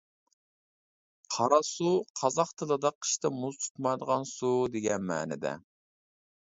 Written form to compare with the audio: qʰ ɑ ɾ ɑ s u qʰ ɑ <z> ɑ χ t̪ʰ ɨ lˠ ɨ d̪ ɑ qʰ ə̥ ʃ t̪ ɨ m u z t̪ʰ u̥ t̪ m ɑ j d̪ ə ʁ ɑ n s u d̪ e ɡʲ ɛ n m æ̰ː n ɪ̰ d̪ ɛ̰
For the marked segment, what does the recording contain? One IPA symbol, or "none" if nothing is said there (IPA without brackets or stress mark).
z